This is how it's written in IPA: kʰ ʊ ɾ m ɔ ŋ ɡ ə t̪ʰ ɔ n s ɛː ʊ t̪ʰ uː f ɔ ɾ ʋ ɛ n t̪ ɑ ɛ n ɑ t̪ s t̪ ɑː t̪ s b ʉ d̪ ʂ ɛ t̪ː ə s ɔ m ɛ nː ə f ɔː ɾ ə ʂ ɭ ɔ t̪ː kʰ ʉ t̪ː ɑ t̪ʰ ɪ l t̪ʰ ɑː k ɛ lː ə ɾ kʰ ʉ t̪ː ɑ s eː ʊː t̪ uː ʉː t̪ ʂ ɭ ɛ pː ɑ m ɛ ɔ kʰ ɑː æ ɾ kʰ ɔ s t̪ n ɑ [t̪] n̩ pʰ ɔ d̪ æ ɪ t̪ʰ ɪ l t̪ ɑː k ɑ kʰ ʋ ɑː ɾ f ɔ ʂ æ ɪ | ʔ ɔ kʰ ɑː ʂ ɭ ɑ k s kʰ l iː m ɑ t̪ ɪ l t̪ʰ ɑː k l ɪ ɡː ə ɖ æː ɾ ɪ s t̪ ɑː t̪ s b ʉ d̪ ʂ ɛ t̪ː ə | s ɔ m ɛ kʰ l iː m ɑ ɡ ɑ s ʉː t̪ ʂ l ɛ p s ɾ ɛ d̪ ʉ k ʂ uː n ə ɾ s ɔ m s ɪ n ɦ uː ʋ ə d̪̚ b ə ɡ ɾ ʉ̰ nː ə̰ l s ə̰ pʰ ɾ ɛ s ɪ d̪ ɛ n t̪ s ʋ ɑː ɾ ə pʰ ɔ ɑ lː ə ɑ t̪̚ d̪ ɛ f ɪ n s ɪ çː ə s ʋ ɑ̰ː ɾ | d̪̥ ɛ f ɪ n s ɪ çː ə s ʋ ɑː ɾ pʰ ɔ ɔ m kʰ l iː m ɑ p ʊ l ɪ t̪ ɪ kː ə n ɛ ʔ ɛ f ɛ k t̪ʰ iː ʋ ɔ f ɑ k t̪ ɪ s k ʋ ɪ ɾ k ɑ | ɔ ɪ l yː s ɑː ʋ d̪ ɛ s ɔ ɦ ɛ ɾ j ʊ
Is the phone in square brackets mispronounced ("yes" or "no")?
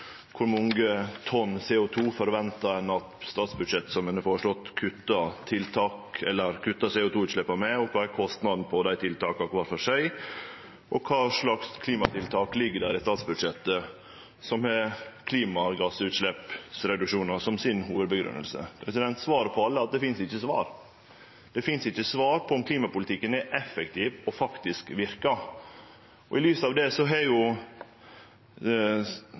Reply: yes